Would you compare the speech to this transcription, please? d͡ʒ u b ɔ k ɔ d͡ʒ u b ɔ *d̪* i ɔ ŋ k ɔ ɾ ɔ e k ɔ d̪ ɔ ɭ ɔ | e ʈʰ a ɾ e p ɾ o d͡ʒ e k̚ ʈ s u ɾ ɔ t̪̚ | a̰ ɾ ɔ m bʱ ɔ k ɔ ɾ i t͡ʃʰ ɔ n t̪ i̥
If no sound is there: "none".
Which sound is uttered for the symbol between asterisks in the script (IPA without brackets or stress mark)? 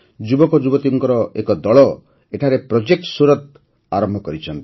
t̪